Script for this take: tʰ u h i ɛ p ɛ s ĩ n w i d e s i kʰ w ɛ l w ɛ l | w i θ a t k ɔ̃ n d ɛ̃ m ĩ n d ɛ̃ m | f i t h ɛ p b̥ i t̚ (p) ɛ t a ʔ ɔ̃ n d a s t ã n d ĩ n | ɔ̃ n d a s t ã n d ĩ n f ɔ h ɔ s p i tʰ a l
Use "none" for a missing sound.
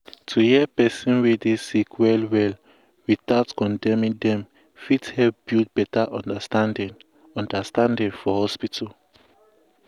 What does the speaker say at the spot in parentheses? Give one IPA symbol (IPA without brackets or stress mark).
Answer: b